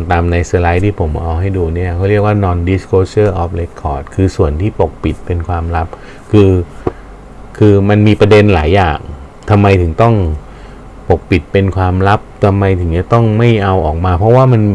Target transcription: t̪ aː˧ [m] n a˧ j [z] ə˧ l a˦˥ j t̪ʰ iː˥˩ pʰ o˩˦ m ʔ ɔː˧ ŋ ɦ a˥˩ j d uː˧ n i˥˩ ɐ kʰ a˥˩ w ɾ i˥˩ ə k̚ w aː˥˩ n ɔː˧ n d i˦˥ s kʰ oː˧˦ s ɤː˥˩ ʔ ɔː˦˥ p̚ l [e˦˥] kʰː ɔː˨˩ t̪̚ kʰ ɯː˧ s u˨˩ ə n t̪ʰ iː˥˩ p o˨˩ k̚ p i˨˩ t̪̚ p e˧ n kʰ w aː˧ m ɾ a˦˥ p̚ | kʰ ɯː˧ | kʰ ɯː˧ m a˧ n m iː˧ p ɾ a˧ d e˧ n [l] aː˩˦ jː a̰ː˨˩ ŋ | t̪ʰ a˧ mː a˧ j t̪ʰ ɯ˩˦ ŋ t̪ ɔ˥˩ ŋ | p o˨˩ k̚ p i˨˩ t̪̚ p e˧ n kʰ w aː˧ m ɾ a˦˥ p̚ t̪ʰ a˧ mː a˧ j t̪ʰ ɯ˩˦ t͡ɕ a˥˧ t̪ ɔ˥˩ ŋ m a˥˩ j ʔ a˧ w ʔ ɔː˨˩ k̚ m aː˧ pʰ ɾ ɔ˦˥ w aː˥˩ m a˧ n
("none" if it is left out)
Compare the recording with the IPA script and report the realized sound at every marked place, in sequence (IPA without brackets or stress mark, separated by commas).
m, s, e˦˥, l